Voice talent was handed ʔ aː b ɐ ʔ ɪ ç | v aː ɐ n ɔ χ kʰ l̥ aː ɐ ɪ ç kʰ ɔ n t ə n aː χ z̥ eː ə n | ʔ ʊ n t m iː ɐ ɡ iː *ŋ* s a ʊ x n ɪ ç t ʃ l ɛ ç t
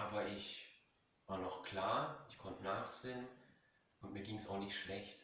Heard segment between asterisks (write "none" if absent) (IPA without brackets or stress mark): ŋ